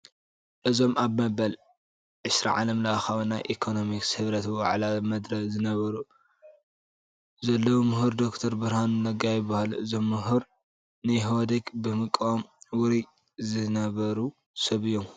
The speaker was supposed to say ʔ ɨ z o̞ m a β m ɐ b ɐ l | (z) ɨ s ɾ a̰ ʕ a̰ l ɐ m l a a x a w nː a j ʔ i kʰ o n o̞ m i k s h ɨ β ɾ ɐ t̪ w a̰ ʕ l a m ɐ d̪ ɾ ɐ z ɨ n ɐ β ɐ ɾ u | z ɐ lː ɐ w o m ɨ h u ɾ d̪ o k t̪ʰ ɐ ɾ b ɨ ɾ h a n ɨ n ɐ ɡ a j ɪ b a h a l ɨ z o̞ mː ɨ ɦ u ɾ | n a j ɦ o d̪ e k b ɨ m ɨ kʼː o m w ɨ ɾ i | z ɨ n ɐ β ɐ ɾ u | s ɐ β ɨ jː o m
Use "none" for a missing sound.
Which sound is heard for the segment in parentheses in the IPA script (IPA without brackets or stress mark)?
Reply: ʕ